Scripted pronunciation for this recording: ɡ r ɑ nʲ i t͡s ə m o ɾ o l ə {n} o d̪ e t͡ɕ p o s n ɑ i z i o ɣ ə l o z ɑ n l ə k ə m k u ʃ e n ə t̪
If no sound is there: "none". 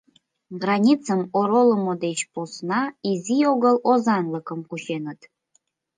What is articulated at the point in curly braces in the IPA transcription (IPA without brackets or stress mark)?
m